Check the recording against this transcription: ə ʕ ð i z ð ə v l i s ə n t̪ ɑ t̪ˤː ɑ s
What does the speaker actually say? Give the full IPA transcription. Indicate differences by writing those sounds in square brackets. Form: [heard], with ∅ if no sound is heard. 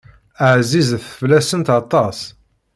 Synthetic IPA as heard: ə ʕ [z] i z [θ] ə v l [æ] s ə n t̪ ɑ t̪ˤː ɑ s